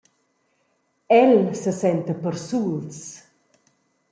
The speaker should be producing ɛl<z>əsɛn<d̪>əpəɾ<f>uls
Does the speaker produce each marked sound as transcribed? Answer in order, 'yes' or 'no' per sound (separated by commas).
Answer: no, no, no